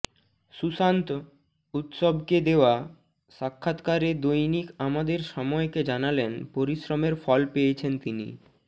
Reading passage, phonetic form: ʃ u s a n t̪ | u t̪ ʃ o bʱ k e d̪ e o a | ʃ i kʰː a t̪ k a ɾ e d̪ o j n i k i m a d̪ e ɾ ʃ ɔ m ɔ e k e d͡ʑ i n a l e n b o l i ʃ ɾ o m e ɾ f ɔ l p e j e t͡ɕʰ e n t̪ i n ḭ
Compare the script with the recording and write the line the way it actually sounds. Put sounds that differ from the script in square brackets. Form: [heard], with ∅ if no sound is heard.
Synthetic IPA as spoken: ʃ u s a n t̪ | u t̪ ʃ o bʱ k e d̪ e o a | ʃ [a] kʰː a t̪ k a ɾ e d̪ o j n i k [a] m a d̪ e ɾ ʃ ɔ m ɔ e k e d͡ʑ [a] n a l e n [p] o [ɾ] i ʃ ɾ o m e ɾ f ɔ l p e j e t͡ɕʰ e n t̪ i n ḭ